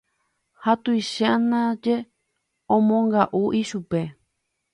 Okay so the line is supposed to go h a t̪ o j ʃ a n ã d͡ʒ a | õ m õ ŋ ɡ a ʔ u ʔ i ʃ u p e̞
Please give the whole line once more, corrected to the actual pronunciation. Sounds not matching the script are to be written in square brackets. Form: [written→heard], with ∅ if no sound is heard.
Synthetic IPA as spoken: h a t̪ [o→u] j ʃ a n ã d͡ʒ [a→e] | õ m õ ŋ ɡ a ʔ u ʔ i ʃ u p e̞